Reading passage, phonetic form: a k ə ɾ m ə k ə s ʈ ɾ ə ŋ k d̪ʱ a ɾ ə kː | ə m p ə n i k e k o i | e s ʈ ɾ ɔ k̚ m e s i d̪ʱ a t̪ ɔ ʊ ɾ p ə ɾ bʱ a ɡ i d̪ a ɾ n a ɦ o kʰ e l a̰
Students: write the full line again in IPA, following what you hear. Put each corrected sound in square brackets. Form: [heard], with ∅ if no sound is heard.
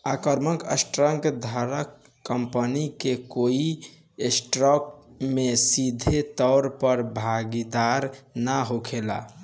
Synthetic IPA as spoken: a k ə ɾ m ə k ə s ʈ ɾ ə ŋ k d̪ʱ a ɾ ə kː | ə m p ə n i k e k o i | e s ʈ ɾ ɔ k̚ m e s i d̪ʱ [e] t̪ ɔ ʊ ɾ p ə ɾ bʱ a ɡ i d̪ a ɾ n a ɦ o kʰ e l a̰